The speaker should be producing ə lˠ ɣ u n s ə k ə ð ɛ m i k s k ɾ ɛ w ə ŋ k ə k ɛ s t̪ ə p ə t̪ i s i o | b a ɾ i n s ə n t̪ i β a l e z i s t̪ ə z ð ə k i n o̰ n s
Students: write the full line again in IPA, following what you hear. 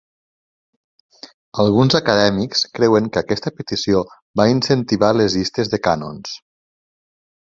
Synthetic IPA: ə lˠ ɣ u n z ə k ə ð ɛ m i k s k ɾ ɛ w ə ŋ k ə k ɛ s t̪ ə p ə t̪ i s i o | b a i n s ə n t̪ i β a l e z i s t̪ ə z ð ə k a n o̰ n s